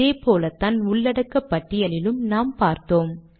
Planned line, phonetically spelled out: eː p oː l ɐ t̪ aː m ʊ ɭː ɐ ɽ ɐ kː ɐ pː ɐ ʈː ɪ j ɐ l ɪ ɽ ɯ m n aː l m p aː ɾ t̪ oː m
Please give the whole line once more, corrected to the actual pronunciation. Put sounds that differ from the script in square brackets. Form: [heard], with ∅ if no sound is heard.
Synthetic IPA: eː p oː l ɐ t̪ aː [n] ʊ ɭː ɐ ɽ ɐ kː ɐ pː ɐ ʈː ɪ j ɐ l ɪ [l] ɯ m n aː [∅] m p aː ɾ t̪ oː m